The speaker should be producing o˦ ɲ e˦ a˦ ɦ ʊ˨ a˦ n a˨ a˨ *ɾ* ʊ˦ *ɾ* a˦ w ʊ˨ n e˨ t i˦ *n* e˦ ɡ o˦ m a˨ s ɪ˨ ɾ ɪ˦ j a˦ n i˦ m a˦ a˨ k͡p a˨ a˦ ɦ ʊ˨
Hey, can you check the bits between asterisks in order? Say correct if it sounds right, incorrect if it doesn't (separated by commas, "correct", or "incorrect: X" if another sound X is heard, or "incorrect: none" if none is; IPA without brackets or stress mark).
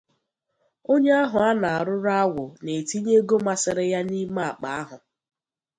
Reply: correct, correct, incorrect: ɲ